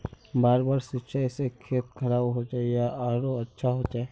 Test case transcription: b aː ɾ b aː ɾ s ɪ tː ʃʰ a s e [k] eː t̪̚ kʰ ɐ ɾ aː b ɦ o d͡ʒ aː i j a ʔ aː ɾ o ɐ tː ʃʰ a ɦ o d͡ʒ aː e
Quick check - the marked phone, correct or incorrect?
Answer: incorrect: kʰ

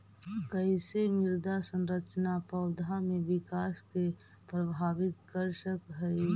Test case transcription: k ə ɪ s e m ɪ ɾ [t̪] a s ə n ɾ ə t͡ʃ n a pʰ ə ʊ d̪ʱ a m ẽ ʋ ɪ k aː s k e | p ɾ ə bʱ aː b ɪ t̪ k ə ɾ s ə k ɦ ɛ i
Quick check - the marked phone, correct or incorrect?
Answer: incorrect: d̪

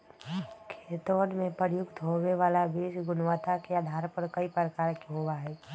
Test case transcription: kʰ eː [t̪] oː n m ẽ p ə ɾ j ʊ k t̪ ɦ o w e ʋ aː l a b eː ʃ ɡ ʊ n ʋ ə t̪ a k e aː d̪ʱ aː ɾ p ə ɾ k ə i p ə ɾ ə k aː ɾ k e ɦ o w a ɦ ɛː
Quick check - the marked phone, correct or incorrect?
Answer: correct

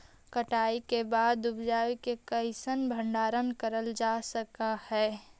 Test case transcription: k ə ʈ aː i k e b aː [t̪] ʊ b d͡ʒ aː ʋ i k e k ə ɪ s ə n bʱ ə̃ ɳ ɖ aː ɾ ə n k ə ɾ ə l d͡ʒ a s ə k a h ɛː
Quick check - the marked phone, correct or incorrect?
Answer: incorrect: d̪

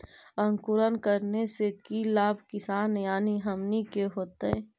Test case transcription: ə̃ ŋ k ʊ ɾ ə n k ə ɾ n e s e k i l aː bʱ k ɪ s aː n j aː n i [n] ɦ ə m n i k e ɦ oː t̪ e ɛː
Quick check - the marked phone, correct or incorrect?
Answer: incorrect: none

